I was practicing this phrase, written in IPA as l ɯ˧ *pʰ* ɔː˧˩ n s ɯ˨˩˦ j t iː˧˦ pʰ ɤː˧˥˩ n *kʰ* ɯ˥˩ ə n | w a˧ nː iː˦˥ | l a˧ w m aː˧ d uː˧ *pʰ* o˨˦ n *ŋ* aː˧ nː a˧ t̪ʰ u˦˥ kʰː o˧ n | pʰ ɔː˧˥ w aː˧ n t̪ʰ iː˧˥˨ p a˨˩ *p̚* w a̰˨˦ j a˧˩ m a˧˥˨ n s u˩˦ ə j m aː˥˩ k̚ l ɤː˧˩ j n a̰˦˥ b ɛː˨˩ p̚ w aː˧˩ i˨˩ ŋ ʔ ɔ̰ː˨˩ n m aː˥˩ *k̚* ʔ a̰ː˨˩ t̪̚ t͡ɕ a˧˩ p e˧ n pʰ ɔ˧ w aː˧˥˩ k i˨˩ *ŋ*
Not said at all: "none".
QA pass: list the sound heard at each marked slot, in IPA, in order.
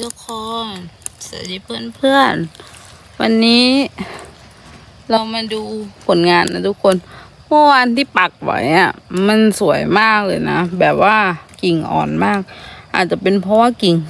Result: kʰ, pʰ, pʰ, ŋ, k̚, k̚, ŋ

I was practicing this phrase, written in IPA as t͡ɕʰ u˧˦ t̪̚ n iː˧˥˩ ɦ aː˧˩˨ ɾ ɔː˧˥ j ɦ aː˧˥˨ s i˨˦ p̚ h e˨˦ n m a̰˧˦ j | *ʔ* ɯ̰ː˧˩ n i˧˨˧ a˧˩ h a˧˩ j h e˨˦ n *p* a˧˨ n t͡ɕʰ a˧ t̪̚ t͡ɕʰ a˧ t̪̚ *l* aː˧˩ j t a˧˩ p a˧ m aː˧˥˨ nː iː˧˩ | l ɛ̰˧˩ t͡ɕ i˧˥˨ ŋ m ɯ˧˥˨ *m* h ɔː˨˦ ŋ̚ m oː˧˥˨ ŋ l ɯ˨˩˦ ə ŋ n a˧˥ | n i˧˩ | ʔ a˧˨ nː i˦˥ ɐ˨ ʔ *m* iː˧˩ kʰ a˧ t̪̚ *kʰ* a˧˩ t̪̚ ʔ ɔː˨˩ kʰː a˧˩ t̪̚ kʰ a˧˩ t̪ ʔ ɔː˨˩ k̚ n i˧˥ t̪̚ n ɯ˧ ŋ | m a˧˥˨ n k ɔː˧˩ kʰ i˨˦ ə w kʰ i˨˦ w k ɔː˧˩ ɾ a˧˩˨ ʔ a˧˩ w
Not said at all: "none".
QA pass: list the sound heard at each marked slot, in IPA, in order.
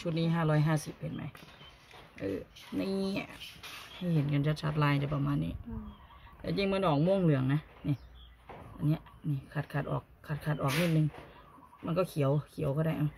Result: ʔ, k, l, n, n, kʰ

